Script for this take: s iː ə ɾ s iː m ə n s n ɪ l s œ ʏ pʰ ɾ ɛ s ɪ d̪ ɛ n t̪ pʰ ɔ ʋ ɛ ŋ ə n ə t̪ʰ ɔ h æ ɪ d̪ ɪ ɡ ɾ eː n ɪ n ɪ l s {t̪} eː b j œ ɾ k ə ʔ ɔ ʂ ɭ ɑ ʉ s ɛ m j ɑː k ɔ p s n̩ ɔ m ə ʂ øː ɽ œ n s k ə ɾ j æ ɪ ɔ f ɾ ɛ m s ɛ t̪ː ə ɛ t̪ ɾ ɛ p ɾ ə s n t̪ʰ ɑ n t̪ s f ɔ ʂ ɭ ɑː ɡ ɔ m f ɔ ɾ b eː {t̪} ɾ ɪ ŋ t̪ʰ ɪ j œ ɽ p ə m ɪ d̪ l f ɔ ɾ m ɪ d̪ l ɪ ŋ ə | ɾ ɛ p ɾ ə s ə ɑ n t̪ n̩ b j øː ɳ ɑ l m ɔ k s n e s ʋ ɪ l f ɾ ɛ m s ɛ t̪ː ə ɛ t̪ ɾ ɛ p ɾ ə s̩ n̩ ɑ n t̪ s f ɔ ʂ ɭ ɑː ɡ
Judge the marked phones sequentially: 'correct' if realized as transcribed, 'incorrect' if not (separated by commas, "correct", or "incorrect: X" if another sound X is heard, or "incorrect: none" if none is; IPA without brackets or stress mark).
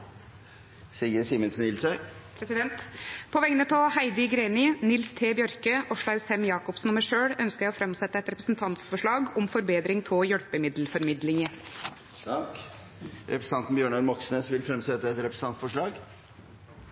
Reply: incorrect: t̪ʰ, incorrect: d̪